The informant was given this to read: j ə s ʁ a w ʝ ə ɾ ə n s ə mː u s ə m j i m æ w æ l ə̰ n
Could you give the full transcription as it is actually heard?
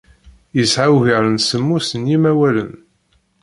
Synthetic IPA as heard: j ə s ʕ a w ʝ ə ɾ ə n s ə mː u s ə n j i m æ w æ l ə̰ n